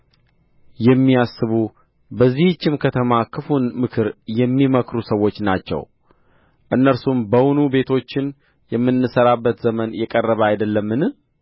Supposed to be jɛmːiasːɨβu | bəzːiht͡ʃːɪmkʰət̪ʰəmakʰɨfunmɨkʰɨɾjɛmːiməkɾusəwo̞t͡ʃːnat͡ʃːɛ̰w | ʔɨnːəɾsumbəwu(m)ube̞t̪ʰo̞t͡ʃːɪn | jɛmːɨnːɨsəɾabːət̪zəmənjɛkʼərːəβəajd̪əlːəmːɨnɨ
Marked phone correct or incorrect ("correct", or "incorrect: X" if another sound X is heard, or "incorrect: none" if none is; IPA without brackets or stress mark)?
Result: incorrect: n